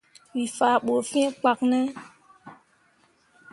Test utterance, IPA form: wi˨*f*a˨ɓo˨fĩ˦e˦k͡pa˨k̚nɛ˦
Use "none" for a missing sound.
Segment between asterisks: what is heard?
f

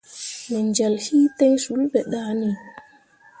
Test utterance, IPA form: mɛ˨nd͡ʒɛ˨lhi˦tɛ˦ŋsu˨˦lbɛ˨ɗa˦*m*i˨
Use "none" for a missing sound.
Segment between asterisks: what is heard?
n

